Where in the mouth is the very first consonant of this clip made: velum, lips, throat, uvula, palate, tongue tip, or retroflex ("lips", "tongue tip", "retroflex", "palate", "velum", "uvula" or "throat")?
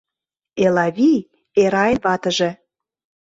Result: tongue tip